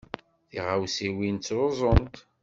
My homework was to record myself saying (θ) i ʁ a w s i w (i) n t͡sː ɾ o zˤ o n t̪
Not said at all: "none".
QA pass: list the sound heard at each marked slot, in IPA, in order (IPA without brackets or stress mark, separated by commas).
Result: θ, i